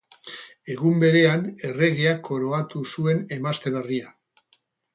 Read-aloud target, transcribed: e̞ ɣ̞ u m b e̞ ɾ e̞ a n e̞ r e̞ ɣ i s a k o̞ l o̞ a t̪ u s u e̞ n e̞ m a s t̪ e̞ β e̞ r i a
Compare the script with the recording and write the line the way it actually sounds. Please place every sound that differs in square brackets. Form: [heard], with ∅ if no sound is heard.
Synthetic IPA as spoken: e̞ ɣ̞ u m b e̞ ɾ e̞ a n e̞ r e̞ ɣ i [∅] a k o̞ [ɾ] o̞ a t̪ u s u e̞ n e̞ m a s t̪ e̞ β e̞ r i a